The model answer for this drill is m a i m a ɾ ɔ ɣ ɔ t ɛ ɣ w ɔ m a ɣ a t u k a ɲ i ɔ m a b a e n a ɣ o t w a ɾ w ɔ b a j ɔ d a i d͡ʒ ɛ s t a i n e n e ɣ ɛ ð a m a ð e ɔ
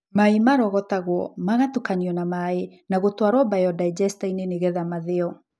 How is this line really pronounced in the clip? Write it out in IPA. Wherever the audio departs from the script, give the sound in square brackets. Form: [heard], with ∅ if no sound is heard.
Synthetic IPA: m a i m a ɾ ɔ ɣ ɔ t [a] ɣ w ɔ m a ɣ a t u k a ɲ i ɔ [n] a [m] a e n a ɣ o t w a ɾ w ɔ b a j ɔ d a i d͡ʒ ɛ s t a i n e n e ɣ ɛ ð a m a ð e ɔ